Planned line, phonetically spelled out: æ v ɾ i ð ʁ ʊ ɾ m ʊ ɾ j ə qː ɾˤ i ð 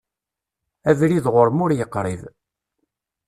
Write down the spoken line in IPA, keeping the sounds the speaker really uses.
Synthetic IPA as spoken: æ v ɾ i ð ʁ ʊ ɾ m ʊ ɾ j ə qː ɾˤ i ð

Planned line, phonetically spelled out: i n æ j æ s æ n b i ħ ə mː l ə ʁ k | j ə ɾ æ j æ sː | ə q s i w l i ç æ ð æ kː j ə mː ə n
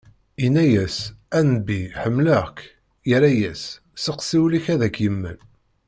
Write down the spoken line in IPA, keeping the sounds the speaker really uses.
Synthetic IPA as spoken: i n æ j æ s æ n b i ħ ə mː l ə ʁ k | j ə ɾ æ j æ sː | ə q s i w l i ç æ ð æ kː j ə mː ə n

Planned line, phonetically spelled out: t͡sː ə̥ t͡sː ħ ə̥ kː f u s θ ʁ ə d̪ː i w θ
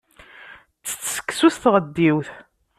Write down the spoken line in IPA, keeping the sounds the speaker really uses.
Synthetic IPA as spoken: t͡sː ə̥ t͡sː s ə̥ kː s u s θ ʁ ə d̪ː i w θ

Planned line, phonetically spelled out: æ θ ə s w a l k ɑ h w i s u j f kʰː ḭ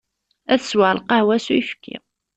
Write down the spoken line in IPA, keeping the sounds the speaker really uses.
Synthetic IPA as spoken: æ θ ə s w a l q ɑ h w æ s u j f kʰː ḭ

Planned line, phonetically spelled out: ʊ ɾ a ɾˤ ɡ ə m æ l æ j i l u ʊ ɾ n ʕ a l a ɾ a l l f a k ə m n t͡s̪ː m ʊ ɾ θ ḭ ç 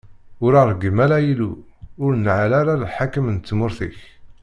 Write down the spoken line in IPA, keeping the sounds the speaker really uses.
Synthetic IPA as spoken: ʊ ɾ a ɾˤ ɡ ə m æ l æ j i l u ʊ ɾ n ʕ a l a ɾ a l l ħ a k ə m n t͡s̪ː m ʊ ɾ θ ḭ ç

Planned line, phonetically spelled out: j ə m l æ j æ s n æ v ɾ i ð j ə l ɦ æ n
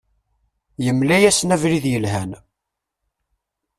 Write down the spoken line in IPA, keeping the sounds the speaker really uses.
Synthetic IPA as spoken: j ə m l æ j æ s n æ v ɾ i ð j ə l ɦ æ n

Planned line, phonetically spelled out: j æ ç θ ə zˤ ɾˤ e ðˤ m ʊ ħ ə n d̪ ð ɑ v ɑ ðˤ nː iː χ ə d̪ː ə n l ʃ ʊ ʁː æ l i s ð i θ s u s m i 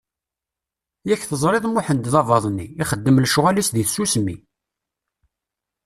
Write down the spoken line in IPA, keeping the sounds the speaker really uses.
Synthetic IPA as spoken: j æ ç θ ə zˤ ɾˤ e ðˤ m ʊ ħ ə n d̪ ð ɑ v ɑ ðˤ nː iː χ ə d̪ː ə m l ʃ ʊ ʁ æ l i s ð i θ s u s m i

